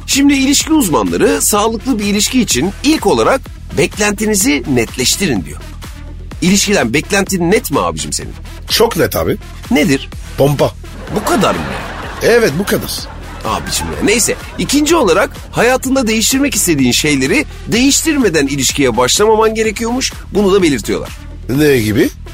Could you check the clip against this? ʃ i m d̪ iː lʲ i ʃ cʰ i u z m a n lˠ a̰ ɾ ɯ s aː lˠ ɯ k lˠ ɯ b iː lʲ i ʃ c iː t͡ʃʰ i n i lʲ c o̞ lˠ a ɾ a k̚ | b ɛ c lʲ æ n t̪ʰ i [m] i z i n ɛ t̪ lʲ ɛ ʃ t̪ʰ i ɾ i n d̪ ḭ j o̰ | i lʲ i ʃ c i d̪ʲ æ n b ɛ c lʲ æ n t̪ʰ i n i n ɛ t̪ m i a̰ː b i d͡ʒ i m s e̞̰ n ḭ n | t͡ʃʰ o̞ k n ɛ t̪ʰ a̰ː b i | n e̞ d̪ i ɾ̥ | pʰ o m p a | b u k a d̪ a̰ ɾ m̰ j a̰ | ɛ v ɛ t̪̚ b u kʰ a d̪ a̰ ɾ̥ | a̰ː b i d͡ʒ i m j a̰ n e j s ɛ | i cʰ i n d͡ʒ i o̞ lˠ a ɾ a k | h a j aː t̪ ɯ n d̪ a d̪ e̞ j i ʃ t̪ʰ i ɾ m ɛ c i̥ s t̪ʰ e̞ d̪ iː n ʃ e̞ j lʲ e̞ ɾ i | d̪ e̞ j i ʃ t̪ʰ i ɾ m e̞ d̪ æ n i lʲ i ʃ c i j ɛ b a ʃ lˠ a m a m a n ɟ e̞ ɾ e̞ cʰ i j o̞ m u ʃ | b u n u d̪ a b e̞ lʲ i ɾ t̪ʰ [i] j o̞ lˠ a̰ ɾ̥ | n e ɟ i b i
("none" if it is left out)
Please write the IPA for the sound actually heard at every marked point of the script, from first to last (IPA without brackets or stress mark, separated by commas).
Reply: n, i